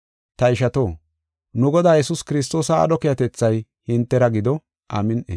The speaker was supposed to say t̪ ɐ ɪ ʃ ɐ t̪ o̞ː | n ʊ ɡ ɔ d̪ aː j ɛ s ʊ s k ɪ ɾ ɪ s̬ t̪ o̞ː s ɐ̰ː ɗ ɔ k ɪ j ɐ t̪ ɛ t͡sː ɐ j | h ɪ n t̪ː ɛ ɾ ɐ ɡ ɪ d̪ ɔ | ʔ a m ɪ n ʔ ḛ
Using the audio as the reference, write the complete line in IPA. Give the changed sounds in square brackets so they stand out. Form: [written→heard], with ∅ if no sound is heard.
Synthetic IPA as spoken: t̪ ɐ ɪ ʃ ɐ t̪ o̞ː | n ʊ ɡ ɔ d̪ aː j ɛ s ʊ s k ɪ ɾ ɪ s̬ t̪ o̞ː s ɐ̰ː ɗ ɔ k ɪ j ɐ t̪ ɛ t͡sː ɐ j | h ɪ n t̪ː ɛ ɾ ɐ ɡ ɪ d̪ ɔ | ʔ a m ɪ n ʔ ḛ